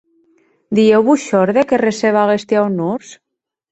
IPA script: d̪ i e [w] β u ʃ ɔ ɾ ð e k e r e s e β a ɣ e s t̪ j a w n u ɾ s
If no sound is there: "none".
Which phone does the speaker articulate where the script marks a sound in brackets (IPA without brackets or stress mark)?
w